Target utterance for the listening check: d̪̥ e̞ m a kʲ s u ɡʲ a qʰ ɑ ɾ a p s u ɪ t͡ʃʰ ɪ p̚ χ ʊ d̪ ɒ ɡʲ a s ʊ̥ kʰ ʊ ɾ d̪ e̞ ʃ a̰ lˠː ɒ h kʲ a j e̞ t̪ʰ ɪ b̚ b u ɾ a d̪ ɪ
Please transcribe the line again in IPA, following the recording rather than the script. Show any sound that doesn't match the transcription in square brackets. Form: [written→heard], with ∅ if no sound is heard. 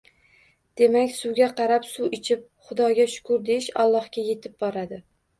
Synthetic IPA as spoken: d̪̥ e̞ m a kʲ s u ɡʲ a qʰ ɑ ɾ a p s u ɪ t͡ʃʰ ɪ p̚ χ ʊ d̪ ɒ ɡʲ a [s→ʃ] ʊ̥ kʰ ʊ ɾ d̪ e̞ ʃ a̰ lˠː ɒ h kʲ a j e̞ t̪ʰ ɪ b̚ b [u→ɒ] ɾ a d̪ ɪ